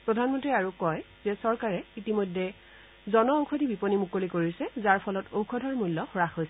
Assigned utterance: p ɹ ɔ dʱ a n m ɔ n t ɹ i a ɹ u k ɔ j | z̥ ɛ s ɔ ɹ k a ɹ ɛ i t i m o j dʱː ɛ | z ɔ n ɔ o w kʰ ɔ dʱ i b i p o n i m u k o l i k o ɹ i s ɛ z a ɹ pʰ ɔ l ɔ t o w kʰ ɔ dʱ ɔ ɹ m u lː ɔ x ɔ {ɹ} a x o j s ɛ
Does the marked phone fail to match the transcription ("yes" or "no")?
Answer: no